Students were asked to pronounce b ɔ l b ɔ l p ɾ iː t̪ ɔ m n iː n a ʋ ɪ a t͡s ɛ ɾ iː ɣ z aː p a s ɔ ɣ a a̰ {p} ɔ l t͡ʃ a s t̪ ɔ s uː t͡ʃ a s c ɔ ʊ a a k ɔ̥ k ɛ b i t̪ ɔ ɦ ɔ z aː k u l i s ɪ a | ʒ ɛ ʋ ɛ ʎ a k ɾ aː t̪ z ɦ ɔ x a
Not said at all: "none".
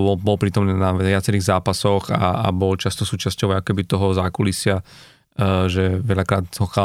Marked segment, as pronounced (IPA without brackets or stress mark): b